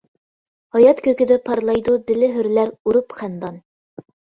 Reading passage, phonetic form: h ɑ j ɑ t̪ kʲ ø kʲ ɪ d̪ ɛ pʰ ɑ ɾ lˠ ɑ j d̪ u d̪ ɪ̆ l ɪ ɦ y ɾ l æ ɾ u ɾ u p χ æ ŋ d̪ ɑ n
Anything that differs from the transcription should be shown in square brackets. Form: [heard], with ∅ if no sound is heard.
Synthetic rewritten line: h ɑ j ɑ t̪ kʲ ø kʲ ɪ d̪ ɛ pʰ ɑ ɾ lˠ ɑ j d̪ u d̪ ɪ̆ l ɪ ɦ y ɾ l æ ɾ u ɾ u p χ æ [n] d̪ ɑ n